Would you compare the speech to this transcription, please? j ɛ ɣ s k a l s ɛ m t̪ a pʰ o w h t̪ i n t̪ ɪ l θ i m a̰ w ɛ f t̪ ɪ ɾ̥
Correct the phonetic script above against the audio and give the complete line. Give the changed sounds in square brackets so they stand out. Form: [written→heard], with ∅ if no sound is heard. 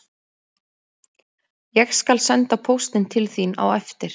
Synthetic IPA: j ɛ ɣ s k a l s ɛ [m→n] t̪ a pʰ o w [h→s] t̪ [i→ɪ] n [t̪→t̪ʰ] ɪ l θ i [m→n] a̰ w ɛ f t̪ ɪ ɾ̥